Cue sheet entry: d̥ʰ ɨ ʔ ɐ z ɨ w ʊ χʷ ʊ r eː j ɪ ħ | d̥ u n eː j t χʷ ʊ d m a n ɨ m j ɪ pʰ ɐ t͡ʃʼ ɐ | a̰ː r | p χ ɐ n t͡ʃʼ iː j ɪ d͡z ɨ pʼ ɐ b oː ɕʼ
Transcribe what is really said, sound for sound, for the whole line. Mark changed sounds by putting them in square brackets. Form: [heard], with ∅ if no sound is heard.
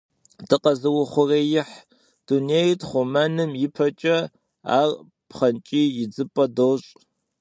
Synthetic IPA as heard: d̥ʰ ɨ [q] ɐ z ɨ w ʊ χʷ ʊ r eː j ɪ ħ | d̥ u n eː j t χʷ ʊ [∅] m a n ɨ m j ɪ pʰ ɐ t͡ʃʼ ɐ | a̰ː r | p χ ɐ n t͡ʃʼ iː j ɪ d͡z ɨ pʼ ɐ [d] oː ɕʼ